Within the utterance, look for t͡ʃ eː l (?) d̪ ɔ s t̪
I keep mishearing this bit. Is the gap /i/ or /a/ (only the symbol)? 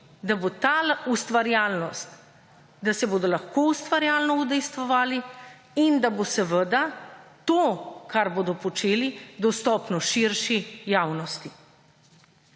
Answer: i